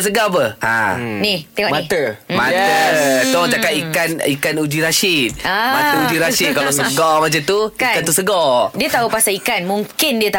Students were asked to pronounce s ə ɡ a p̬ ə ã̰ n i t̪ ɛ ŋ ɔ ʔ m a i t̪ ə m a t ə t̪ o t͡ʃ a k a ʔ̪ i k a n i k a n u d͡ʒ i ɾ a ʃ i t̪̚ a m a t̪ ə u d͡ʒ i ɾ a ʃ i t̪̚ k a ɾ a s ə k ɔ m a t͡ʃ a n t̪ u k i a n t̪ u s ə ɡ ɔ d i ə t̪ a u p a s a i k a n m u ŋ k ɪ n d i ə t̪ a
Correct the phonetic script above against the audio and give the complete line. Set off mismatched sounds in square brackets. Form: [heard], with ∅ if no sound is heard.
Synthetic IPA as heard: s ə ɡ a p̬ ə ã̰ n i t̪ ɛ ŋ ɔ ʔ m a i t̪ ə m a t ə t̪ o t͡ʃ a k a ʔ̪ i k a n i k a n u d͡ʒ i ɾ a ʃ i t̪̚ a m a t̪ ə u d͡ʒ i ɾ a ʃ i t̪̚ k a [l] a s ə [ɡ] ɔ m a t͡ʃ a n t̪ u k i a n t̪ u s ə ɡ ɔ d i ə t̪ a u p a s a i k a n m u ŋ k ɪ n d i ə t̪ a